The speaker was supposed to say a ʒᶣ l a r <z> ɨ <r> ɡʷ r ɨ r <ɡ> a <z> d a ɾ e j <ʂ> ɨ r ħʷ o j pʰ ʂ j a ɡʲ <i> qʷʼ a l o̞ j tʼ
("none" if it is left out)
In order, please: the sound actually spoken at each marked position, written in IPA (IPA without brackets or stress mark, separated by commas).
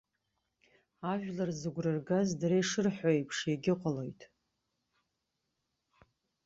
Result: z, none, ɡ, z, ʂ, ɪ